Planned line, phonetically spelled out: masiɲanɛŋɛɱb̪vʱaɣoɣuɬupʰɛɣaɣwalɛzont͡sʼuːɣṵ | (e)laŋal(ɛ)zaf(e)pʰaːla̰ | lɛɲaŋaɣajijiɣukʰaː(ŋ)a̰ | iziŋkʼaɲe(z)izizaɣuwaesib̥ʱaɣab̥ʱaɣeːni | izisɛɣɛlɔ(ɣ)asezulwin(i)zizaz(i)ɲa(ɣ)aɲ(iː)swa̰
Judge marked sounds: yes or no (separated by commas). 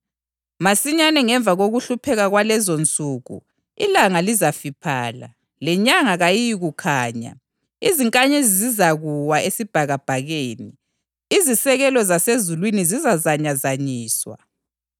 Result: no, no, no, no, yes, no, yes, no, no, yes